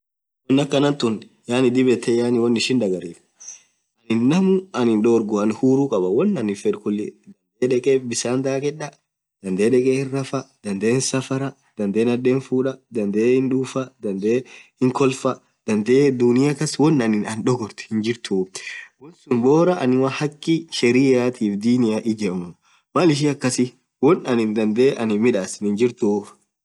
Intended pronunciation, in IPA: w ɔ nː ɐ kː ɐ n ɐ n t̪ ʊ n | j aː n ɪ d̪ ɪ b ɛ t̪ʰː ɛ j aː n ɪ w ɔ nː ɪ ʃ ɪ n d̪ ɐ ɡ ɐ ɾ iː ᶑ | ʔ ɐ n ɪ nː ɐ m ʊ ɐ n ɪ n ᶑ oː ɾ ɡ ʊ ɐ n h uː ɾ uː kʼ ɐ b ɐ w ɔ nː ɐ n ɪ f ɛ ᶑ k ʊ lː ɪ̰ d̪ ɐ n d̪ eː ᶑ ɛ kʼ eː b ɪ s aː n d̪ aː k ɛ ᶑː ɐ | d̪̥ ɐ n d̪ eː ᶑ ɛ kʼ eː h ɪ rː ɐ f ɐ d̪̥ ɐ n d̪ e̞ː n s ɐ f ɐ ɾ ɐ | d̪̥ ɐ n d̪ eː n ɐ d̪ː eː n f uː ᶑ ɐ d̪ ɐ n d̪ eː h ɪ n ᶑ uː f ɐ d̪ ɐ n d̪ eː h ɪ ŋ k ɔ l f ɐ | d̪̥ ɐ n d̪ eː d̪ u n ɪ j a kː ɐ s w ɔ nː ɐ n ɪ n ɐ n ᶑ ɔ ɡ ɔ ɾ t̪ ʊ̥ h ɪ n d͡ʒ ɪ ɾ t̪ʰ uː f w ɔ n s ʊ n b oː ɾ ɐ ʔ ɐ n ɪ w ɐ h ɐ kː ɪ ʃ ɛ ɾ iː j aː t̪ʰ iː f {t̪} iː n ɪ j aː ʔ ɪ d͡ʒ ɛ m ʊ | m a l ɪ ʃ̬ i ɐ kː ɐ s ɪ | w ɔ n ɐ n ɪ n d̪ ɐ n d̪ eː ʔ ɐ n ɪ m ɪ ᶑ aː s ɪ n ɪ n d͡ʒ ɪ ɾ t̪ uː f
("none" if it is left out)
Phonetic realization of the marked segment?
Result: d̪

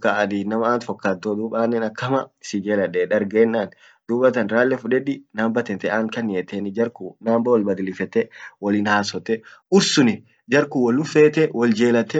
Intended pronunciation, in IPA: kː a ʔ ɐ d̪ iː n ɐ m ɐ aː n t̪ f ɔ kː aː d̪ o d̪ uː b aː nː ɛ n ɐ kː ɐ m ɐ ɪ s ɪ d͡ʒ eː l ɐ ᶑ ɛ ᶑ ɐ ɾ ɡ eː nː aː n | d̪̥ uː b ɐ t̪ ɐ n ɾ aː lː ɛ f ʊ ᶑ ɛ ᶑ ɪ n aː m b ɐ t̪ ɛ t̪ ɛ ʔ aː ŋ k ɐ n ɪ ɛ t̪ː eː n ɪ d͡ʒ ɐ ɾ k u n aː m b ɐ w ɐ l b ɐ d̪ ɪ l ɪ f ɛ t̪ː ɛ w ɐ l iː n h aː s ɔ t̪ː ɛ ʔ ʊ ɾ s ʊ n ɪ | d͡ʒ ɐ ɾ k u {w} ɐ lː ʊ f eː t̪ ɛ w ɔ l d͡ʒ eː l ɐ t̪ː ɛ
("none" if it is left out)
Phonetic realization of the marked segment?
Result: w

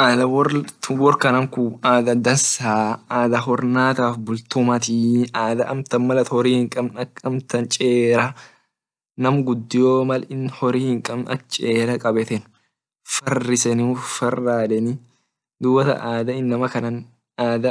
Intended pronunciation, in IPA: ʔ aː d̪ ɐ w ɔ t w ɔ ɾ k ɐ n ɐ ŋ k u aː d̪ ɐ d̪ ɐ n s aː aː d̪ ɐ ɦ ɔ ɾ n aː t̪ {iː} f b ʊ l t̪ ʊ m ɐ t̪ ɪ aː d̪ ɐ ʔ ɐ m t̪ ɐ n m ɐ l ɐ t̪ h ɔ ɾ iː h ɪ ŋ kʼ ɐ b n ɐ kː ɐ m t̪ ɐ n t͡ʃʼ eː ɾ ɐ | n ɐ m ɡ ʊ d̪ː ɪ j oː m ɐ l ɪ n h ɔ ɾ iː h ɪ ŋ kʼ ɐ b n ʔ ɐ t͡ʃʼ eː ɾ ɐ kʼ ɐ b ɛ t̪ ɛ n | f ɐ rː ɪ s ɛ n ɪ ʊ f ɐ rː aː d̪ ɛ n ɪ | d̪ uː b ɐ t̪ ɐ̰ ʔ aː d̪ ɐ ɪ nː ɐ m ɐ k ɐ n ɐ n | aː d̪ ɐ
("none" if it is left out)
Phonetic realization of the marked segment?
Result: aː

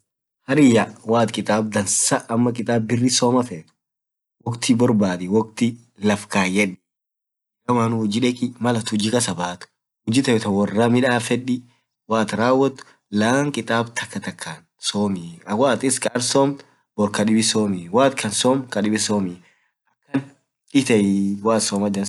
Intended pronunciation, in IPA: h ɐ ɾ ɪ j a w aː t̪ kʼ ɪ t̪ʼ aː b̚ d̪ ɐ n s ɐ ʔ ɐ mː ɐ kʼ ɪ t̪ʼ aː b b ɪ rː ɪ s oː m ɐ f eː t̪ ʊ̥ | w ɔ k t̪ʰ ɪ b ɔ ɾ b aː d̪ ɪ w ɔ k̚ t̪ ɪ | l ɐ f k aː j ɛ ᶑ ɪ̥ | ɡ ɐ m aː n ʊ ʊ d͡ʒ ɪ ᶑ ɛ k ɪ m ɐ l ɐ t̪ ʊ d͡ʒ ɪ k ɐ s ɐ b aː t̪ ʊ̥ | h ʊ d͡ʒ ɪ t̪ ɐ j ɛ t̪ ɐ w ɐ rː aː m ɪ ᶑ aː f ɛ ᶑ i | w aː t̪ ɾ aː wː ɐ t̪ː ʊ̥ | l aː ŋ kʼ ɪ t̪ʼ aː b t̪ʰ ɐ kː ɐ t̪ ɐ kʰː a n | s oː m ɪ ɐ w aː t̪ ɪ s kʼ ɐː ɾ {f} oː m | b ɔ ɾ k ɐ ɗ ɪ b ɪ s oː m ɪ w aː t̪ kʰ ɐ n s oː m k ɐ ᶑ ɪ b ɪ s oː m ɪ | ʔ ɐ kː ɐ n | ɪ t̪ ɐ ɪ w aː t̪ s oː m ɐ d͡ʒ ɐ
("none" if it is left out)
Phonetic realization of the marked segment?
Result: s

